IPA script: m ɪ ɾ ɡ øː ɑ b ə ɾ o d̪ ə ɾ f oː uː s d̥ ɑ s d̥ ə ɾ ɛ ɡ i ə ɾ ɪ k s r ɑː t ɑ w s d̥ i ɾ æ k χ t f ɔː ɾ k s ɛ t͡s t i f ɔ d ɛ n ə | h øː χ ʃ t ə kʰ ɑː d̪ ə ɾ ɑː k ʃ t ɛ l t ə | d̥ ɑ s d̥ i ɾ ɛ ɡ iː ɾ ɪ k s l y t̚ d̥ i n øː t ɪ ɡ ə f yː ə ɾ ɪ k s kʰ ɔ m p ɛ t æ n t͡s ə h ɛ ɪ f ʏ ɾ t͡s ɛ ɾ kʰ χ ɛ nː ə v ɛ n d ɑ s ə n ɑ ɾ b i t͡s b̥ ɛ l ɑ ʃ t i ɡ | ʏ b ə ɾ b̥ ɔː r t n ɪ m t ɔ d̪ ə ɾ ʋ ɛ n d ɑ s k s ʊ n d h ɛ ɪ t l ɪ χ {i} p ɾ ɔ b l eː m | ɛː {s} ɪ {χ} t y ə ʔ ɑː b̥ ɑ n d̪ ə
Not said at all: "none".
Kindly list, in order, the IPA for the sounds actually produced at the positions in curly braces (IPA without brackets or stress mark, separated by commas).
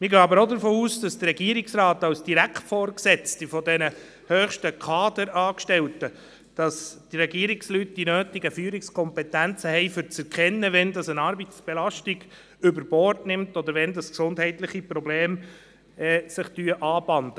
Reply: i, s, χ